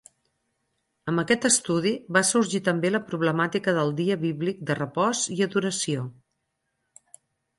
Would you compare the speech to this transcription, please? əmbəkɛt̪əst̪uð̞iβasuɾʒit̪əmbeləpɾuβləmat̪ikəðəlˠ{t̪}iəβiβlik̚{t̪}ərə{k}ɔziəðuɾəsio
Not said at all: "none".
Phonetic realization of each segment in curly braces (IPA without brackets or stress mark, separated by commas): d̪, d̪, p